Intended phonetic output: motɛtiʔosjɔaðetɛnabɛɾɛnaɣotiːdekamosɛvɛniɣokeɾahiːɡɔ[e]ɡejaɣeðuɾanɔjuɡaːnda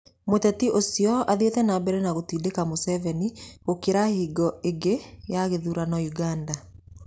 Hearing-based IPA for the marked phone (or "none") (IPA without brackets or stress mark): e